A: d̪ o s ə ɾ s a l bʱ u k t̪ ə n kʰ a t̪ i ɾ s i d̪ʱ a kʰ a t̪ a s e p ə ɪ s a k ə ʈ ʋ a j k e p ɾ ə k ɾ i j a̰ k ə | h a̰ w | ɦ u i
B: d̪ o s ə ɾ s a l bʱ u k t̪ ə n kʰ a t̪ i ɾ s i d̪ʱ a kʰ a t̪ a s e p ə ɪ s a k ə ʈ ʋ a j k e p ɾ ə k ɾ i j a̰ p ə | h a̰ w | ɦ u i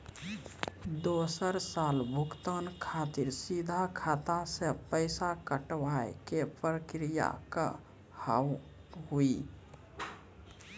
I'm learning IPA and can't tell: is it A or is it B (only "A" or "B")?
A